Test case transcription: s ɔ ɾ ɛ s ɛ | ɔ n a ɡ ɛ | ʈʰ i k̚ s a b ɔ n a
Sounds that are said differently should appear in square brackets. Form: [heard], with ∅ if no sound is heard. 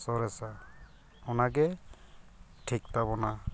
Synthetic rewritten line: s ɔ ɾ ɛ s [a] | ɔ n a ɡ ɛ | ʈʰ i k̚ [t] a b ɔ n a